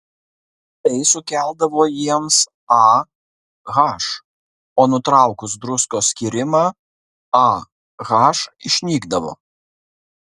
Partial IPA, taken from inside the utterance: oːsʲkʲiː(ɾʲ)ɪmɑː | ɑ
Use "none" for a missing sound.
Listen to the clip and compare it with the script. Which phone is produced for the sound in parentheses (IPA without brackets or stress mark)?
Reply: ɾʲ